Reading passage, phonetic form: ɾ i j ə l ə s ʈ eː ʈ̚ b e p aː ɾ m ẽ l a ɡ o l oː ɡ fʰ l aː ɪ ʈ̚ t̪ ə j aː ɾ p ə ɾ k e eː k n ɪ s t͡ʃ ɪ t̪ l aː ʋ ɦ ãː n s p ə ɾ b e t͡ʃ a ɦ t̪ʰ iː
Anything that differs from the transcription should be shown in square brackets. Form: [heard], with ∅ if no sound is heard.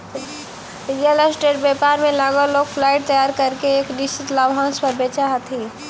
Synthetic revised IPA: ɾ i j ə l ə s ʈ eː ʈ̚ b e p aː ɾ m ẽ l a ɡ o l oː ɡ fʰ l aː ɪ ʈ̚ t̪ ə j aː ɾ [k] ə ɾ k e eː k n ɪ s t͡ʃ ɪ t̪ l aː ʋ ɦ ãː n s p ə ɾ b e t͡ʃ a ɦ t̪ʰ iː